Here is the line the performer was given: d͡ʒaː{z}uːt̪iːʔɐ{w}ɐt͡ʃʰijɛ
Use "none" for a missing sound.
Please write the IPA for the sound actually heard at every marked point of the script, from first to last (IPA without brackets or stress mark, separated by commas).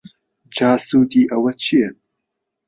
s, w